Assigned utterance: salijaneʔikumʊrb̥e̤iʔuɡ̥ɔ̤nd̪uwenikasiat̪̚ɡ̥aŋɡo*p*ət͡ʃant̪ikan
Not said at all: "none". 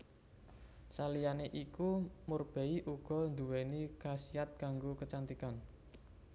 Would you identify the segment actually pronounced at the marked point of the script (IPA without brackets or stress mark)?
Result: k